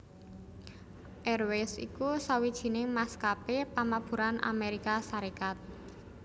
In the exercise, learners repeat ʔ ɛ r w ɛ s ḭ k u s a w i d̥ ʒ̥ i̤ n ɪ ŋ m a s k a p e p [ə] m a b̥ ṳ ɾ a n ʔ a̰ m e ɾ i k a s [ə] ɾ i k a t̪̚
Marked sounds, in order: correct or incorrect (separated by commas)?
incorrect, incorrect